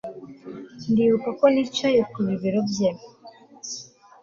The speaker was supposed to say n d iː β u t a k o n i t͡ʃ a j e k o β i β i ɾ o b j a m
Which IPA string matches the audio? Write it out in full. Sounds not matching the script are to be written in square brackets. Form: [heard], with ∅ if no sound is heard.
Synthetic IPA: n d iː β u [k] a k o n i t͡ʃ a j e k [u] β i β i ɾ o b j [e] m